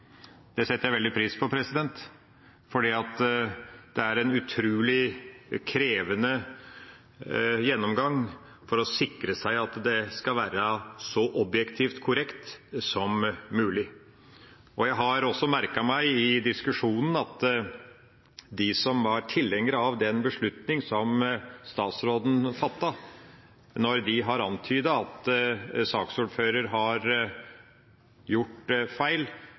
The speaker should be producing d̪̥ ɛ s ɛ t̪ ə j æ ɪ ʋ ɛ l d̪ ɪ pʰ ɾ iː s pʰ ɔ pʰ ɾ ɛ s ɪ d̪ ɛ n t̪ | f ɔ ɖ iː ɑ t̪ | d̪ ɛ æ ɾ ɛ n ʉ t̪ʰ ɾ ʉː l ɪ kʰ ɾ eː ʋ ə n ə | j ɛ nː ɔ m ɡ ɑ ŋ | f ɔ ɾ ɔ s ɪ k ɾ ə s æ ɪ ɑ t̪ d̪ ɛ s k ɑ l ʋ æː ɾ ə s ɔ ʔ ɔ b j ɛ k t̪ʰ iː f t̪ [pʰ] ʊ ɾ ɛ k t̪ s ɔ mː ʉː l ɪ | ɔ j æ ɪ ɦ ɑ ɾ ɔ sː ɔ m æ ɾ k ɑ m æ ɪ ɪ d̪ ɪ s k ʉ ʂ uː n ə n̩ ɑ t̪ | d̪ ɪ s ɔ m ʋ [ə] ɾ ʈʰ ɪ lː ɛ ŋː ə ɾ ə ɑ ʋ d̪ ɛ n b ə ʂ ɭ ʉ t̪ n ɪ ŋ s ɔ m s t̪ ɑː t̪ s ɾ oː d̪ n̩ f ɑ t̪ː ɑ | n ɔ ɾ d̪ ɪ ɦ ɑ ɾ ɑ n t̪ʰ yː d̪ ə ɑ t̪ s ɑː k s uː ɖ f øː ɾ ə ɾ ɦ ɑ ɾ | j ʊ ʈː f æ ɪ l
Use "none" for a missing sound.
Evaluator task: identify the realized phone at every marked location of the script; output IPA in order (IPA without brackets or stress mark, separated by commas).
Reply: kʰ, ɑ